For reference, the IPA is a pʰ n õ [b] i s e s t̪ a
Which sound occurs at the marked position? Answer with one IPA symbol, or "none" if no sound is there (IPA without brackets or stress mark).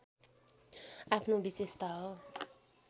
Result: b